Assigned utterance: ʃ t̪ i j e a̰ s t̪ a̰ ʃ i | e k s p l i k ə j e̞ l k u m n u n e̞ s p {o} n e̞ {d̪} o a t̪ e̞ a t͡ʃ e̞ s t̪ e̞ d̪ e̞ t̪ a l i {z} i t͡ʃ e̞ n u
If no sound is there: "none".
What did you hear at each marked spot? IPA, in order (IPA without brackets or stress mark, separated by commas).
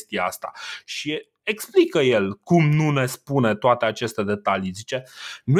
u, t̪, z